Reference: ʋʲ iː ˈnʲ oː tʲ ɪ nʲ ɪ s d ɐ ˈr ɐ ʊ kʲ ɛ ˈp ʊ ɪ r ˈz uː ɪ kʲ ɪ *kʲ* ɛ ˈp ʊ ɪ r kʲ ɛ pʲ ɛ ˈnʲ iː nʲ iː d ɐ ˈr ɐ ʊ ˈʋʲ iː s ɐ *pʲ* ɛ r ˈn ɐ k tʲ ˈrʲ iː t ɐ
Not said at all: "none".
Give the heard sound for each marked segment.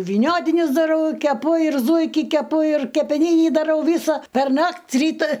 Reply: kʲ, pʲ

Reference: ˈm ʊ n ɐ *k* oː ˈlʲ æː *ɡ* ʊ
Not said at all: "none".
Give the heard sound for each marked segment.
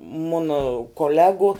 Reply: k, ɡ

